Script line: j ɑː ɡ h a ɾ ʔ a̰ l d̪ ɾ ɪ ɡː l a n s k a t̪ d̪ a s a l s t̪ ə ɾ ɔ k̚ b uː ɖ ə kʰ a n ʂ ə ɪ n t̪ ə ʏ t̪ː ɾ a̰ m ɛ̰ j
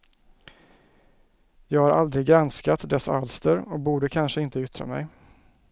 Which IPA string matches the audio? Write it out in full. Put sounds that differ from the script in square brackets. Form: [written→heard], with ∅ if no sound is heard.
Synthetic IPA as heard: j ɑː ɡ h a ɾ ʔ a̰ l d̪ ɾ ɪ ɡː [l→ɾ] a n s k a t̪ d̪ [a→ɛ] s a l s t̪ ə ɾ ɔ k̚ b uː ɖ ə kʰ a n ʂ ə ɪ n t̪ ə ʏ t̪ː ɾ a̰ m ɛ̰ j